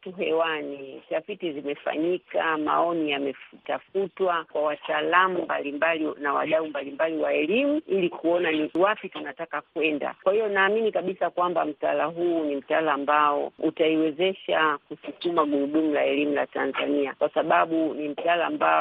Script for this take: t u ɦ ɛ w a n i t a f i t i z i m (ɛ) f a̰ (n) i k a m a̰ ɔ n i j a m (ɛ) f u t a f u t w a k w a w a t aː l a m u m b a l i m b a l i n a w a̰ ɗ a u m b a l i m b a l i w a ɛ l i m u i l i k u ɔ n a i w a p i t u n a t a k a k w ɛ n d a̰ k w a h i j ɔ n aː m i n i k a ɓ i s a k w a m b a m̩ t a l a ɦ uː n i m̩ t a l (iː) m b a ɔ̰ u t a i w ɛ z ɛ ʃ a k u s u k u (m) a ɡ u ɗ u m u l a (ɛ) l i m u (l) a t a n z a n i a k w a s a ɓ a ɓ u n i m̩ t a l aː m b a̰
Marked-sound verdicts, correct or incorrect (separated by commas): correct, incorrect, correct, incorrect, correct, correct, correct